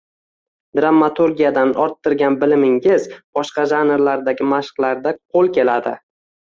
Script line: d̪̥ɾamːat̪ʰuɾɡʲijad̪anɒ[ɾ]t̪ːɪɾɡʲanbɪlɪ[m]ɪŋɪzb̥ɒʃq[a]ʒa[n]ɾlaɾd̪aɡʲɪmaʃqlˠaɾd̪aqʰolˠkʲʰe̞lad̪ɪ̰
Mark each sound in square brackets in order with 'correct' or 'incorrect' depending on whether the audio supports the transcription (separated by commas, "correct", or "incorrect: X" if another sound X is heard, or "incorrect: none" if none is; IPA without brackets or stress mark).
correct, correct, incorrect: ɑ, correct